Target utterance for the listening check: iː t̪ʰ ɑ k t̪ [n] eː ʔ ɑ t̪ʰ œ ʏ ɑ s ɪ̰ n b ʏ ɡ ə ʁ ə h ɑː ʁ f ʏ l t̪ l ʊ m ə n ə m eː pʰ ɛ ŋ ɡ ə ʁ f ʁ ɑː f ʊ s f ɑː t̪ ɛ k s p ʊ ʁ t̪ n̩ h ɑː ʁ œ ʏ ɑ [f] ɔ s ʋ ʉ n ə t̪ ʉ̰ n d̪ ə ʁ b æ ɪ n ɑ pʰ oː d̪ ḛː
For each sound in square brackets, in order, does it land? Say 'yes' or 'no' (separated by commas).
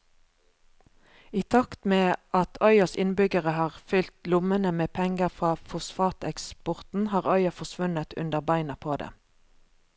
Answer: no, yes